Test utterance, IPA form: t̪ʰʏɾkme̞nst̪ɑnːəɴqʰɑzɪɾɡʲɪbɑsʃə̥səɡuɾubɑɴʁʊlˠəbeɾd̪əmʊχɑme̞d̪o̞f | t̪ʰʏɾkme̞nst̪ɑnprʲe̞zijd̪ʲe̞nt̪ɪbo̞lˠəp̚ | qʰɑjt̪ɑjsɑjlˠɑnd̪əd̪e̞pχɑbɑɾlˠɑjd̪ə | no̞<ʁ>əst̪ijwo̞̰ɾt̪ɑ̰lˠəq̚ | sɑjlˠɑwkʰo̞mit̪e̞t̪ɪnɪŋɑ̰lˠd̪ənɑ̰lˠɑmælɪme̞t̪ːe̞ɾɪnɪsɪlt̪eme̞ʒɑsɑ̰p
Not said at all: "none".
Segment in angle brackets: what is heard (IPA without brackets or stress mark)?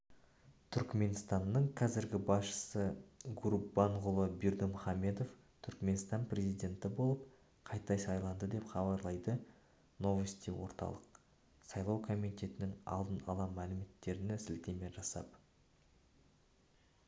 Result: v